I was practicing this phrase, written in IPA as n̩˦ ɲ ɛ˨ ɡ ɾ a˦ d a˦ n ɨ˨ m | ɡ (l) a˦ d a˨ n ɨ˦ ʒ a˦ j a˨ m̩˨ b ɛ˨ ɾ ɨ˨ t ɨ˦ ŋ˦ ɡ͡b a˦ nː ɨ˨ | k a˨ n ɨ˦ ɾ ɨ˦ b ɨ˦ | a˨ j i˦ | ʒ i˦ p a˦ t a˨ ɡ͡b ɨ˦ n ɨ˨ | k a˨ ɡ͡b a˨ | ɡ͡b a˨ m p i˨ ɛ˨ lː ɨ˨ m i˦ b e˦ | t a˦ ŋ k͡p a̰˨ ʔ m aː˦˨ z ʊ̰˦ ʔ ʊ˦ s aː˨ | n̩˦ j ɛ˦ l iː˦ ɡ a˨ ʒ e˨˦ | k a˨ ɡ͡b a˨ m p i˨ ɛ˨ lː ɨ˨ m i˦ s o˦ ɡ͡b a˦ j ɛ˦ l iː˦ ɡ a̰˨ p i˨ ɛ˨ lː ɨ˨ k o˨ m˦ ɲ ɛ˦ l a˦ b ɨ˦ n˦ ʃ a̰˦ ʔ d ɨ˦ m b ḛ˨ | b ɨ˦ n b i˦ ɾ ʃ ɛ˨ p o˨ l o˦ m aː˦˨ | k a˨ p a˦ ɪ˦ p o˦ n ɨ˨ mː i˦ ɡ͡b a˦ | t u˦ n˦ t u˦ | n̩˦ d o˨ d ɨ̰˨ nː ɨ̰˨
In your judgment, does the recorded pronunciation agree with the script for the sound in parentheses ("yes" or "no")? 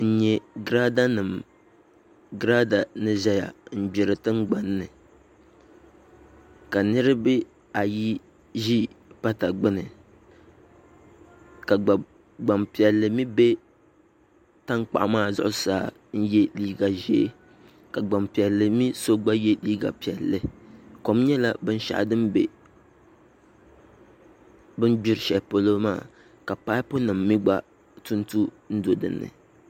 no